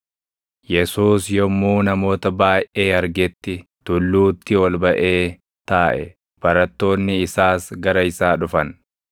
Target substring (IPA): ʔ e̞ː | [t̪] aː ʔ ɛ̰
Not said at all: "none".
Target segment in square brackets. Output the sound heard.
t̪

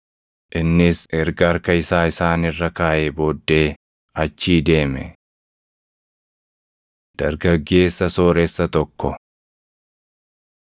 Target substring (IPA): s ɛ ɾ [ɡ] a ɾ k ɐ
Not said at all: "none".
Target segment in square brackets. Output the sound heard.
ɡ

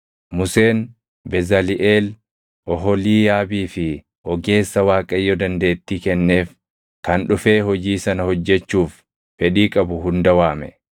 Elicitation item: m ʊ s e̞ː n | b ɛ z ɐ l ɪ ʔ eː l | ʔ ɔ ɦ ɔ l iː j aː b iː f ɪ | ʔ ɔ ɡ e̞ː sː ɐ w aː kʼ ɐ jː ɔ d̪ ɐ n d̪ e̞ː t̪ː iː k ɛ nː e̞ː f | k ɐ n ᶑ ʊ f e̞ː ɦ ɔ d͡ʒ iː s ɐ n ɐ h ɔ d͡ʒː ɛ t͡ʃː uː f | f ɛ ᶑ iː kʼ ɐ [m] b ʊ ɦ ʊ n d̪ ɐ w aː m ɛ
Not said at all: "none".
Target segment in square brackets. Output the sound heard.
none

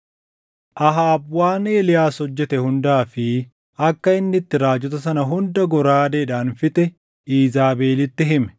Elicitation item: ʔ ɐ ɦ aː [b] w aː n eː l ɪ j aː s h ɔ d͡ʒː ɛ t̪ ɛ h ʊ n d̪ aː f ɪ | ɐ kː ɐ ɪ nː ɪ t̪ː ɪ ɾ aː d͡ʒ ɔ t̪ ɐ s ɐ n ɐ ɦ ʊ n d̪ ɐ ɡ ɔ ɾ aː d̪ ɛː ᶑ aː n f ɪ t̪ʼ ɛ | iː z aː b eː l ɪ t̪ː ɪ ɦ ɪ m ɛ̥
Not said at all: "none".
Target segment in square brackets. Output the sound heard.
b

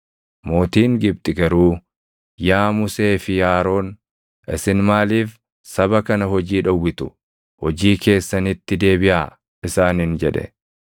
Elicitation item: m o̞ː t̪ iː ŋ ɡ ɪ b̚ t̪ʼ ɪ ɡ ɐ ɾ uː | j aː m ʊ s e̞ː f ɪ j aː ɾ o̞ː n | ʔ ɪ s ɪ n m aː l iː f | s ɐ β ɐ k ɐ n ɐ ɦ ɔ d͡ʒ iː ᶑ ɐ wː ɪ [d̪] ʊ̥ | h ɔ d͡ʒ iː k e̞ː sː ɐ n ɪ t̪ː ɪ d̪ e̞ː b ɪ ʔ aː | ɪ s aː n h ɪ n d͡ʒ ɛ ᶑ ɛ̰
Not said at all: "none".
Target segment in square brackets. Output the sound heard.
t̪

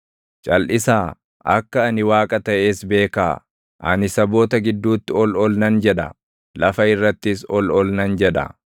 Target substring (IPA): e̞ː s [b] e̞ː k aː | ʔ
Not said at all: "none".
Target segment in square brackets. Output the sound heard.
b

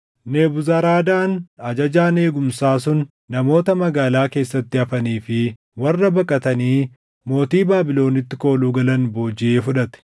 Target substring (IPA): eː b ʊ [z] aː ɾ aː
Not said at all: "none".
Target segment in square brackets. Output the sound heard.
z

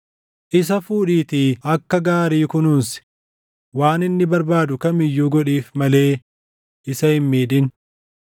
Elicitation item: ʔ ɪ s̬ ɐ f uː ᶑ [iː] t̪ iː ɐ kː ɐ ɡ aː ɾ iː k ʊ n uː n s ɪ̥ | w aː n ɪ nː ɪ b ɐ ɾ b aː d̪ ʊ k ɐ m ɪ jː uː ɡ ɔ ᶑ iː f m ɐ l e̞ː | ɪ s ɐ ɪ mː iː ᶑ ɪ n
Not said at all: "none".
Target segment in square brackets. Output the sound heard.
iː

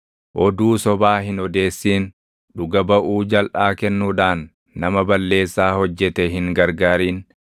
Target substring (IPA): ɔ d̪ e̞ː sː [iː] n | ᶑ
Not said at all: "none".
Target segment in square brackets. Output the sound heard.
iː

